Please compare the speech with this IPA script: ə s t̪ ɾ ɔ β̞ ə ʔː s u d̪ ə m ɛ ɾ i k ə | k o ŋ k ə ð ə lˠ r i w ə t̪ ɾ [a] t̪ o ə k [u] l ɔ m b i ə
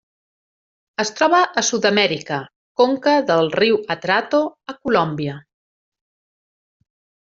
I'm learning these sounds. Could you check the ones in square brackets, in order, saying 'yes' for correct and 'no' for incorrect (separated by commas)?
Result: yes, yes